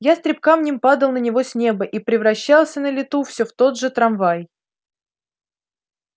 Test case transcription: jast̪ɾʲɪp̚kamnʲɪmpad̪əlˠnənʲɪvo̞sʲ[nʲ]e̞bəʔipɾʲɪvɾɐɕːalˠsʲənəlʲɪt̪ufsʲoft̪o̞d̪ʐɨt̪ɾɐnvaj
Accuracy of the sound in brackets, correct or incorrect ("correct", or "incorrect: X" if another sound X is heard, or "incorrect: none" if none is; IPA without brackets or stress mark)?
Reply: correct